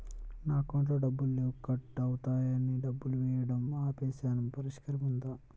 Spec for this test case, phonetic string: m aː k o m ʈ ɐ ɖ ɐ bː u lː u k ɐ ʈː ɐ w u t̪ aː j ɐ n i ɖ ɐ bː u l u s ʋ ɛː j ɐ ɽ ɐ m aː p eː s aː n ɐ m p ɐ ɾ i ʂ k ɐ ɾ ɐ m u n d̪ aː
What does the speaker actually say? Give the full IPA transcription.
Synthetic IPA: n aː k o ɳ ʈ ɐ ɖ ɐ bː u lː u k ɐ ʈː ɐ w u t̪ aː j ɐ n i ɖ ɐ bː u l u ʋ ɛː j ɐ ɽ ɐ m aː p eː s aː n ɐ m p ɐ ɾ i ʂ k ɐ ɾ ɐ m u n d̪ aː